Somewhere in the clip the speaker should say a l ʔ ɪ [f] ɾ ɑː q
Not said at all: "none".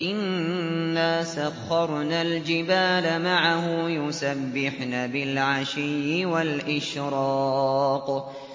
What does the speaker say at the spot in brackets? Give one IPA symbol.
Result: ʃ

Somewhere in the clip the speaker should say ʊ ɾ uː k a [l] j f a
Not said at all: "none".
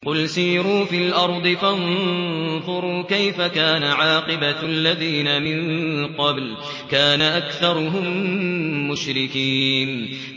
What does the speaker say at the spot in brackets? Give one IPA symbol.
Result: none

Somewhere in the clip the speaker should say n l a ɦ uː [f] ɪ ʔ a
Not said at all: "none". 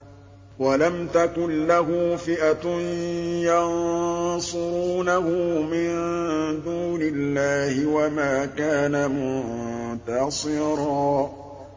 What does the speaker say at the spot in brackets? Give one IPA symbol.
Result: f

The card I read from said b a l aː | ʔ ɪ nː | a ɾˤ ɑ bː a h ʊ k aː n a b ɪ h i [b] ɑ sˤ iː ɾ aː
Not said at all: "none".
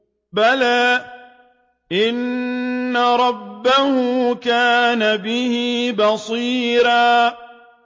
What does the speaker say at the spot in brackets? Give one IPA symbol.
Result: b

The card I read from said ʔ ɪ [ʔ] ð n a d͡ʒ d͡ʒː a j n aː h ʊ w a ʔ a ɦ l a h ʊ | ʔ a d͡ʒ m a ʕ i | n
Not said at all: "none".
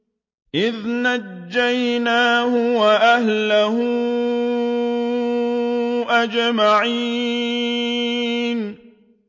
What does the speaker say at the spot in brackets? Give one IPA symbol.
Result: none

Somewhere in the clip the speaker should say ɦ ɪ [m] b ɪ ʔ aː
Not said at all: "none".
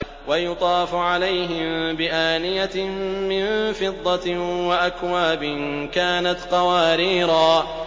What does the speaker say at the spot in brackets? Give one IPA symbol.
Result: m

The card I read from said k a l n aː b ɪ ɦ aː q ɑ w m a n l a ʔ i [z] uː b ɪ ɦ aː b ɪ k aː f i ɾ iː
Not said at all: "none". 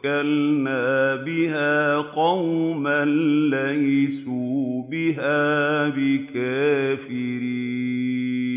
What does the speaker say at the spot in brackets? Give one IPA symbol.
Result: s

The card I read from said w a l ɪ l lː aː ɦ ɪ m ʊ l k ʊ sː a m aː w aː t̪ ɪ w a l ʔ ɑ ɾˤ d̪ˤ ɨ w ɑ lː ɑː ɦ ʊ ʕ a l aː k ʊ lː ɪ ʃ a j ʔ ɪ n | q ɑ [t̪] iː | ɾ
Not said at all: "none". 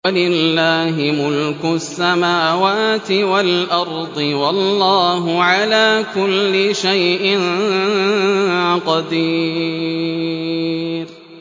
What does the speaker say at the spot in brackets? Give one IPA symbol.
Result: d̪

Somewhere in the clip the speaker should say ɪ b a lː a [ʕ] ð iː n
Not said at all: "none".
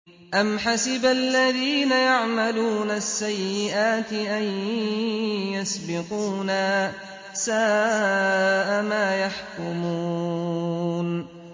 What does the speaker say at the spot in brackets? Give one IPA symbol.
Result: none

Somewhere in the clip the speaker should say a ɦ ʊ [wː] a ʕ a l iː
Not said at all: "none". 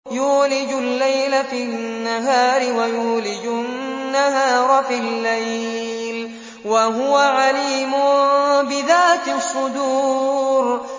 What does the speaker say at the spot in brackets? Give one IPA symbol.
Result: w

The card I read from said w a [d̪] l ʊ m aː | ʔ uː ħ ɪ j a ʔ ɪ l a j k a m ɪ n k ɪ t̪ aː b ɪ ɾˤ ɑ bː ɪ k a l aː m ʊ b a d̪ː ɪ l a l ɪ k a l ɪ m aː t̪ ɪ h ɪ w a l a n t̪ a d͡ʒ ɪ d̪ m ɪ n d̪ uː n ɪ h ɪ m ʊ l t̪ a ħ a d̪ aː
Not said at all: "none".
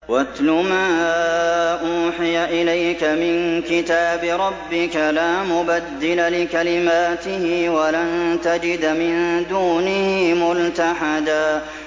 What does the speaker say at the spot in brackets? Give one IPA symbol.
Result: t̪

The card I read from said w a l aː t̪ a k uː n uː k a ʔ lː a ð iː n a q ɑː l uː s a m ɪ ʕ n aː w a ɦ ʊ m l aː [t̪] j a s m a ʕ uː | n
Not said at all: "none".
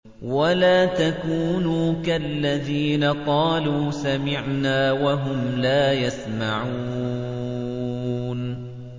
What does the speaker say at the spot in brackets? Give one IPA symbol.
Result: none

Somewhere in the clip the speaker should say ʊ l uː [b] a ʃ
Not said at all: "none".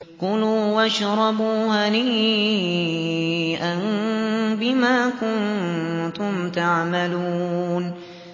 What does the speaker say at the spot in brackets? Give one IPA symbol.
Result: w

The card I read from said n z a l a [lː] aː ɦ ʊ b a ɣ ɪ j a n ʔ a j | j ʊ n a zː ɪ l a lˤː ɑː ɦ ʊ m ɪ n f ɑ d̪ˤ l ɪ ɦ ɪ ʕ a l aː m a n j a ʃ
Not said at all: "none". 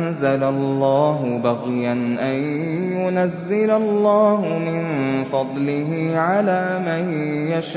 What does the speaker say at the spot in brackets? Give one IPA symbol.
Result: lː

